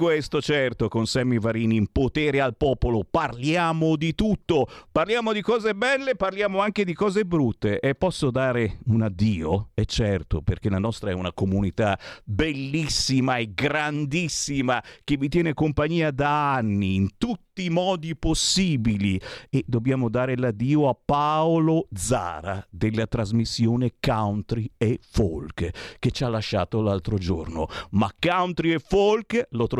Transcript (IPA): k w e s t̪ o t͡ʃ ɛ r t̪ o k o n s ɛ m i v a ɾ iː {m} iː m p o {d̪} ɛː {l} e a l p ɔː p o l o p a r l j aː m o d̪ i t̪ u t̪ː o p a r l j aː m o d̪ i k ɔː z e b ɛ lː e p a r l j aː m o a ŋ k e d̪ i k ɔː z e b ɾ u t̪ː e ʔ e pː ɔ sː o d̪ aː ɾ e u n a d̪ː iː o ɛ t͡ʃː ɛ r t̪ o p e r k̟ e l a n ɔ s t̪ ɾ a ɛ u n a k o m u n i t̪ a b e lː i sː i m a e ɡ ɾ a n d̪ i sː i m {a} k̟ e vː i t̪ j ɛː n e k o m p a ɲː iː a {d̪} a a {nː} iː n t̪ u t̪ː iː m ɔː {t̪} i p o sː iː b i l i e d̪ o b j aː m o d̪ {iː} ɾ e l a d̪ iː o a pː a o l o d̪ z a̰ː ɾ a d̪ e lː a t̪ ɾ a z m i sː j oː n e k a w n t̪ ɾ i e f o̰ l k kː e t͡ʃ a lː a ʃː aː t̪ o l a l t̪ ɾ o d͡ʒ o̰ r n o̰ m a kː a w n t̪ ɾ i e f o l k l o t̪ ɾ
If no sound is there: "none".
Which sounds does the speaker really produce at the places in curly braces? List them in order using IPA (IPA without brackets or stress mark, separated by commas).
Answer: n, t̪, ɾ, a, d̪, nː, d̪, aː